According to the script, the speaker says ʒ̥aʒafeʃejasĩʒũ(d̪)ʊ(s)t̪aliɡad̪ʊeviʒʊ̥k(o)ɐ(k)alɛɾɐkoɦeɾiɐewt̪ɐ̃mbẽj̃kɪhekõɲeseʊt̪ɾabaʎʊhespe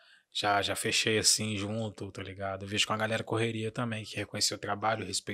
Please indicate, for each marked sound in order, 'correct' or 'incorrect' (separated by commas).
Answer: incorrect, incorrect, incorrect, incorrect